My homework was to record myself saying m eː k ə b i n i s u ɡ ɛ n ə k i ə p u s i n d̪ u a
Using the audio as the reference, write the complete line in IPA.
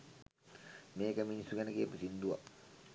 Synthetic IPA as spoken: m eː k ə m i n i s u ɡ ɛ n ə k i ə p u s i n d̪ u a